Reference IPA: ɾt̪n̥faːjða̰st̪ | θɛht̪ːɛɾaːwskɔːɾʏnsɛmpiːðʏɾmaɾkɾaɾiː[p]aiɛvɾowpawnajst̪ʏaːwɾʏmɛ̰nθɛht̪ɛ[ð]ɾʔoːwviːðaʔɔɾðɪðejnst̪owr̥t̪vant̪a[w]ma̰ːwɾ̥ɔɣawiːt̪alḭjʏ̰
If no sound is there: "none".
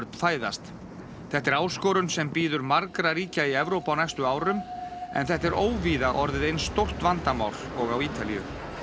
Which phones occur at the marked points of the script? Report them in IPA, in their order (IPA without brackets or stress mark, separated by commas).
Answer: c, none, none